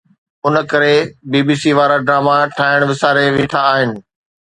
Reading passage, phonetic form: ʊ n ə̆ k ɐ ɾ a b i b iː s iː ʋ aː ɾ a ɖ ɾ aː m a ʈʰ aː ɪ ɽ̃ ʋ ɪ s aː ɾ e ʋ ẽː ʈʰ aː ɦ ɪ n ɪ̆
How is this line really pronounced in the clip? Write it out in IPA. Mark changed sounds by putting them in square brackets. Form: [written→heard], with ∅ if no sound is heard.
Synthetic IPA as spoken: ʊ n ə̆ k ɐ ɾ [a→e] b [i→iː] b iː s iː ʋ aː ɾ a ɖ ɾ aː m a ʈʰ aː ɪ ɽ̃ ʋ ɪ s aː ɾ e ʋ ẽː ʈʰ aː ɦ ɪ n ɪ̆